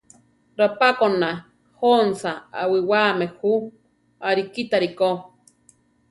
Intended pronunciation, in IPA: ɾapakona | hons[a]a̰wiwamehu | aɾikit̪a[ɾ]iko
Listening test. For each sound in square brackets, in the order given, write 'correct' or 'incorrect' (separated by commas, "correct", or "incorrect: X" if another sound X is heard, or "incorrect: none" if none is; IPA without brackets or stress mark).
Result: correct, correct